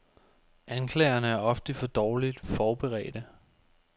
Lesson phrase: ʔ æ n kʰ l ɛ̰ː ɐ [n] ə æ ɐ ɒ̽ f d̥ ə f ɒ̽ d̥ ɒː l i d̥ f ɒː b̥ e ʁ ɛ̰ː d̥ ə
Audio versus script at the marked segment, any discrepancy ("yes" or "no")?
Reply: no